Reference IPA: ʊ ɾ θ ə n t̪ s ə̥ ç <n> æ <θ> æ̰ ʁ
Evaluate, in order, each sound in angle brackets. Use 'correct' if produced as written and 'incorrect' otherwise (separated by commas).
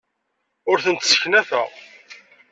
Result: correct, correct